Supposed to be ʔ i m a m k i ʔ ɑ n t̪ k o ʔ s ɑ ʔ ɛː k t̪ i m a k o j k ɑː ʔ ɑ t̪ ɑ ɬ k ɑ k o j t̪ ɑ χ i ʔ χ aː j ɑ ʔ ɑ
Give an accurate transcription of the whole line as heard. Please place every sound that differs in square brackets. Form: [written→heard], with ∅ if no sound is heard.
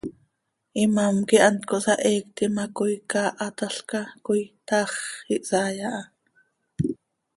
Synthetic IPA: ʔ i m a m k i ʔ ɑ n t̪ k o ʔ s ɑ ʔ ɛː k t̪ i m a k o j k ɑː ʔ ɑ t̪ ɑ ɬ k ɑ k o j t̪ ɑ χ i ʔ [χ→s] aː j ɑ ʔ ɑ